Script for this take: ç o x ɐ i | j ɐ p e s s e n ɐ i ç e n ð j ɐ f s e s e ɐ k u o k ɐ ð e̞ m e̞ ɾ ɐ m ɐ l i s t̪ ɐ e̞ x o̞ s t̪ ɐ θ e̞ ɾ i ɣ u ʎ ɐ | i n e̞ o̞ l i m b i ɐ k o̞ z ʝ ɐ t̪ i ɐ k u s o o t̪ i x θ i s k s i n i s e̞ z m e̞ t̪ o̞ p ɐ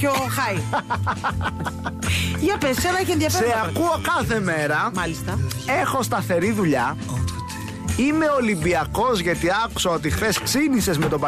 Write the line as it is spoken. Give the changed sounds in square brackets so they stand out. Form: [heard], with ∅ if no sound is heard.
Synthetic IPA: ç o x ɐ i | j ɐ p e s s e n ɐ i ç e n ð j ɐ f s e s e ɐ k u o k ɐ [θ] e̞ m e̞ ɾ ɐ m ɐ l i s t̪ ɐ e̞ x o̞ s t̪ ɐ θ e̞ ɾ i [ð] u ʎ ɐ | i [m] e̞ o̞ l i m b i ɐ k o̞ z ʝ ɐ t̪ i ɐ k u s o o t̪ i x θ [e] s k s i n i s e̞ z m e̞ t̪ o̞ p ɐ